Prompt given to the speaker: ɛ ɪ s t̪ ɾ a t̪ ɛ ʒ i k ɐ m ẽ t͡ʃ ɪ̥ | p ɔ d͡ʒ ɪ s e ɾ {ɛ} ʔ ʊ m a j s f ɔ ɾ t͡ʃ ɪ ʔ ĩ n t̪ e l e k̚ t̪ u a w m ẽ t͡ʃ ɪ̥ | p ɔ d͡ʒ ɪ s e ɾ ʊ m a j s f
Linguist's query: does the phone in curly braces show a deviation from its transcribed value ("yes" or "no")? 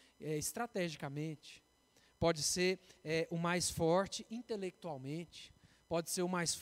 no